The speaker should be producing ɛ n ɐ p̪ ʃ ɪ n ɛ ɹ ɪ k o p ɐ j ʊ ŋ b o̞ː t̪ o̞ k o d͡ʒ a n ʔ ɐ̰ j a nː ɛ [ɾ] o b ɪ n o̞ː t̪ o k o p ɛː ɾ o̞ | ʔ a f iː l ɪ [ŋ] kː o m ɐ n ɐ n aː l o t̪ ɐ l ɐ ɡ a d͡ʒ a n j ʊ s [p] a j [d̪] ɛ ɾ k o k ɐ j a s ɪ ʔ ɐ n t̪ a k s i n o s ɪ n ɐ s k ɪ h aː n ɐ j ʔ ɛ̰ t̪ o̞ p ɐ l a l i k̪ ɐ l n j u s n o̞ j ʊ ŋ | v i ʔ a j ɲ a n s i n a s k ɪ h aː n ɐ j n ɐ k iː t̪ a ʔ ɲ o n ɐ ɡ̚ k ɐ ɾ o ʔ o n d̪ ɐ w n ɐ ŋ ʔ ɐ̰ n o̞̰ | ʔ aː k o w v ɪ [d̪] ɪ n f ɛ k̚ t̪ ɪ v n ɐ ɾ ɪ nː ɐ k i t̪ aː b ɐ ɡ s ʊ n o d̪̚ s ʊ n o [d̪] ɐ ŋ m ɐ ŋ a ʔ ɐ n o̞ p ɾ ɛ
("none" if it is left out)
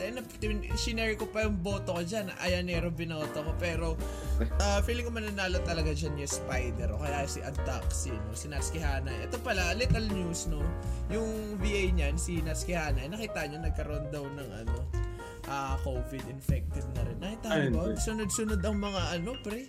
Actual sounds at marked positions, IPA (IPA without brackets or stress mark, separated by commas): ɾ, ŋ, p, d̪, d̪, d̪